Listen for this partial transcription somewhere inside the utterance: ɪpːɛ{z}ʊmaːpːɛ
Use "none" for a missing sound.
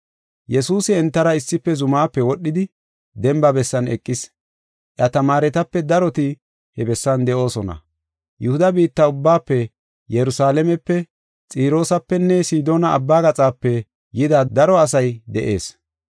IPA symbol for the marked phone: z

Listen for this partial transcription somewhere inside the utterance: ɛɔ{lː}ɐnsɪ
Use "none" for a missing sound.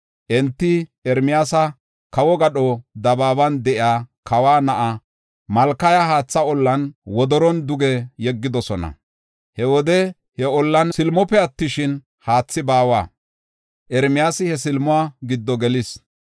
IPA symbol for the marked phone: lː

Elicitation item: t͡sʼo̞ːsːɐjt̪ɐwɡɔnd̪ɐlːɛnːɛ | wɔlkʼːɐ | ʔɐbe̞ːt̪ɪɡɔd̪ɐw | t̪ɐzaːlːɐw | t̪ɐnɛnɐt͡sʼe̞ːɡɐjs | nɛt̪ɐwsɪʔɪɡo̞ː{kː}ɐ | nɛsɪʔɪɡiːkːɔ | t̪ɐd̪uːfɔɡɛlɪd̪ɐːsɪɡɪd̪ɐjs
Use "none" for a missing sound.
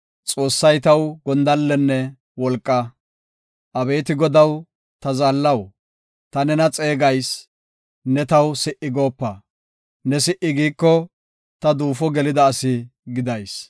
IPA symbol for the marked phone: pː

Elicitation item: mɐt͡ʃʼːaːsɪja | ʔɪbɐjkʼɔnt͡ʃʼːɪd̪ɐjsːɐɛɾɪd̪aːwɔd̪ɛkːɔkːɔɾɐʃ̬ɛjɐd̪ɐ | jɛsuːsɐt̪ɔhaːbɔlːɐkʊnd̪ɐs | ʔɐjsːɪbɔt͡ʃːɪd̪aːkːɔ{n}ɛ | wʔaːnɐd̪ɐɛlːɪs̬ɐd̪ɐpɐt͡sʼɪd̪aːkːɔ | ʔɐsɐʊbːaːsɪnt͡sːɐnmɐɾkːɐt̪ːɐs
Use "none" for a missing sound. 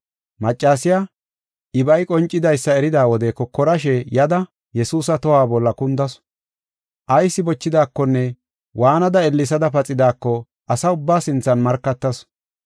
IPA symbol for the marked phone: nː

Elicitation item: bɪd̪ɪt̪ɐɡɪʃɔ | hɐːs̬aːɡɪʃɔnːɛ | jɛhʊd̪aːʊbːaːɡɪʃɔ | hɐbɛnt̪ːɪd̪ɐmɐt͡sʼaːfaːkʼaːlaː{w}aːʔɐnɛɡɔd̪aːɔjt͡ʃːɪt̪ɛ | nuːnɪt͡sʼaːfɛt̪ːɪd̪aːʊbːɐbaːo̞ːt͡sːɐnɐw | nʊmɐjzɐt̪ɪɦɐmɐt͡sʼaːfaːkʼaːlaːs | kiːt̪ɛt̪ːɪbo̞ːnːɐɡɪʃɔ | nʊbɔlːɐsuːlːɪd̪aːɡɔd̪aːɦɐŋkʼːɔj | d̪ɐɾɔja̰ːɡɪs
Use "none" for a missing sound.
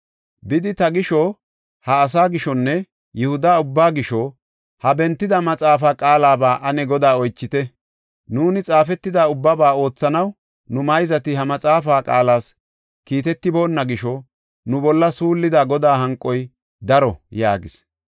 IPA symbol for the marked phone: b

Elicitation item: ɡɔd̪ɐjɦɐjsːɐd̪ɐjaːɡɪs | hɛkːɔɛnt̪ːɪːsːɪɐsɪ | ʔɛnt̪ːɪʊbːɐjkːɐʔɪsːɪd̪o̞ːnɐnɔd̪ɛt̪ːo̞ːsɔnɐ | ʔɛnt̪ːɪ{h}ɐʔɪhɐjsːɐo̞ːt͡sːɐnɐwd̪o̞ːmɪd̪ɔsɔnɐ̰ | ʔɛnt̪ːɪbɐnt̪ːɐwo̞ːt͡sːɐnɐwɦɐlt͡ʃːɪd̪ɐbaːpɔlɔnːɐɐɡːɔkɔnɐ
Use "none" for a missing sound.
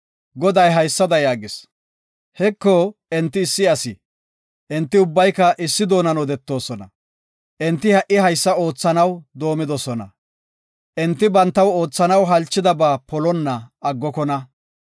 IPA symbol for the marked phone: h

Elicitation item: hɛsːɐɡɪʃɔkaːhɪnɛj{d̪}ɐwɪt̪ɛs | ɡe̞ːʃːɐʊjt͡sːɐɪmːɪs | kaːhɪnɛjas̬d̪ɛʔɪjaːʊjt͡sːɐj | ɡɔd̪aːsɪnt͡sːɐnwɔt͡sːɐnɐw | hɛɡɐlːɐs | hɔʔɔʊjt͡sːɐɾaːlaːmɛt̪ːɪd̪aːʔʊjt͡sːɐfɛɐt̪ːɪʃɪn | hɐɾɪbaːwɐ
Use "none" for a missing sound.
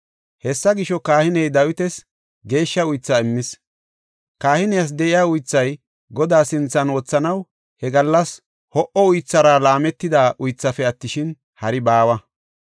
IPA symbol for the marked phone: d̪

